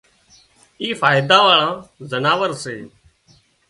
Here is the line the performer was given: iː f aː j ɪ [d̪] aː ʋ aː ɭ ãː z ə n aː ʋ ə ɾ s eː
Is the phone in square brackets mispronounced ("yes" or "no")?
no